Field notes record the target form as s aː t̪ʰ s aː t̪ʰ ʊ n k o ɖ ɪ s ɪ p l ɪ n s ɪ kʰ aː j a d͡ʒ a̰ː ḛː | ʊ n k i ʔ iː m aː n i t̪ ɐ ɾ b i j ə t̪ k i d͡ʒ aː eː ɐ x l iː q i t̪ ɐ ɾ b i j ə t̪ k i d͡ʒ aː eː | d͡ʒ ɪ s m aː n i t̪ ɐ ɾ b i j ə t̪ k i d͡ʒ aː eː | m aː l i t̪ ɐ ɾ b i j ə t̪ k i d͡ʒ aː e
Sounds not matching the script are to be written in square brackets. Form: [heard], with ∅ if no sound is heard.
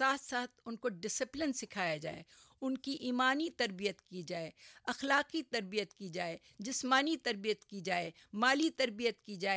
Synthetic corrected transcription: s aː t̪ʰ s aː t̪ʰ ʊ n k o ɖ ɪ s ɪ p l ɪ n s ɪ kʰ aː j a d͡ʒ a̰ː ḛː | ʊ n k i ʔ iː m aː n i t̪ ɐ ɾ b i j ə t̪ k i d͡ʒ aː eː ɐ x l [aː] q i t̪ ɐ ɾ b i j ə t̪ k i d͡ʒ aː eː | d͡ʒ ɪ s m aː n i t̪ ɐ ɾ b i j ə t̪ k i d͡ʒ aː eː | m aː l i t̪ ɐ ɾ b i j ə t̪ k i d͡ʒ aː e